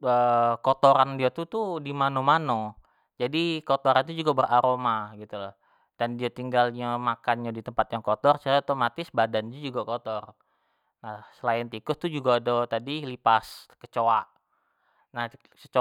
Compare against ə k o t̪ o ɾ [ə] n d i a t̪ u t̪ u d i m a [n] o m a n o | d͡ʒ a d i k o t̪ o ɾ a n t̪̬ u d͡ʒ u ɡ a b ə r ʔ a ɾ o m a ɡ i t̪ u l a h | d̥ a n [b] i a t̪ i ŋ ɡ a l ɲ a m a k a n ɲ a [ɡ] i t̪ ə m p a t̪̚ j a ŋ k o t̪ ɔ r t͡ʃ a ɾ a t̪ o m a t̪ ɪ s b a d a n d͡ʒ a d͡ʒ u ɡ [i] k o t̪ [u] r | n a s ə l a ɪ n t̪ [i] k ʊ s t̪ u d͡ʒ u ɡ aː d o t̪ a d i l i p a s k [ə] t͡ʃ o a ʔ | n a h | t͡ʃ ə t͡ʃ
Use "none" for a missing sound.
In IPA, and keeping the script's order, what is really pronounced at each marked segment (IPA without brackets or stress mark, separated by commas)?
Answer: a, n, d, d, a, ɔ, i, ə